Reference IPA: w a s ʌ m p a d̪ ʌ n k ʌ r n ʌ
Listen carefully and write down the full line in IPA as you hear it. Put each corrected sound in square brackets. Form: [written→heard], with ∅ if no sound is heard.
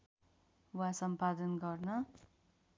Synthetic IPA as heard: w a s ʌ m p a d̪ ʌ n [k→ɡ] ʌ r n ʌ